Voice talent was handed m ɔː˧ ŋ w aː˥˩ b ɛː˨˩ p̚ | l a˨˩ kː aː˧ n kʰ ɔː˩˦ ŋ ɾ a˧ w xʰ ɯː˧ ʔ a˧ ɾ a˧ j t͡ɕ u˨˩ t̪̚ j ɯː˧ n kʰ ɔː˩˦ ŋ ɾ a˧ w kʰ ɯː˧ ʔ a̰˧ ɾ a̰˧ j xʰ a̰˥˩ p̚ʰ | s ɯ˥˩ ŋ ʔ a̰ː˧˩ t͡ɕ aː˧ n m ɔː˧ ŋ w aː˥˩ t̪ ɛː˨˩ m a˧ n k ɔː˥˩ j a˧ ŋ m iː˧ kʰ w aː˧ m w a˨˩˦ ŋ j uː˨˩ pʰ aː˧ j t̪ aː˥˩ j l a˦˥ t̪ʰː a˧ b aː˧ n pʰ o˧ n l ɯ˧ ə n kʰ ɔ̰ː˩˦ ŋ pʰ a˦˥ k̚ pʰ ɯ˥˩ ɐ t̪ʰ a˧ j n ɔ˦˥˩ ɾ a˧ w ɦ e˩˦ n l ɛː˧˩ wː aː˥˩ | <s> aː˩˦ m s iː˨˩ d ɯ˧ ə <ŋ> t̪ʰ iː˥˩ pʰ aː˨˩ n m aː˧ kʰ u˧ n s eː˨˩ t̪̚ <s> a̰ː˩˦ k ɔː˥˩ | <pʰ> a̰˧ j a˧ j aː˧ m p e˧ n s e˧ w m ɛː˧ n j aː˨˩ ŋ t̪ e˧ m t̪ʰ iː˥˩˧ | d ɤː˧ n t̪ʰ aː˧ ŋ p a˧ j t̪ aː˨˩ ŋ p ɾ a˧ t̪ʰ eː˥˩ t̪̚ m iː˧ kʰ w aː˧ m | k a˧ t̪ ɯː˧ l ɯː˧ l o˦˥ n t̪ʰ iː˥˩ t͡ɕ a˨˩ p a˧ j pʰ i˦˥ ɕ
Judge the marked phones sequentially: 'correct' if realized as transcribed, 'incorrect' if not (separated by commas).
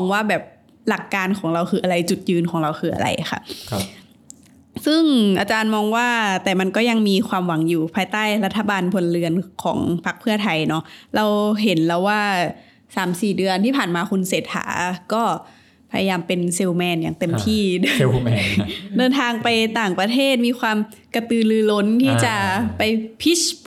correct, incorrect, incorrect, correct